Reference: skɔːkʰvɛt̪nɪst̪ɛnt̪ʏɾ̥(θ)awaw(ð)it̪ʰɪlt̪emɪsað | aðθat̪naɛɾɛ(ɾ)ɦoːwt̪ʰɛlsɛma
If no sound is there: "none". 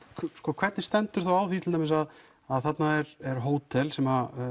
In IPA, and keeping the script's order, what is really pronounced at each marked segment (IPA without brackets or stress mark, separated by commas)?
θ, θ, ɾ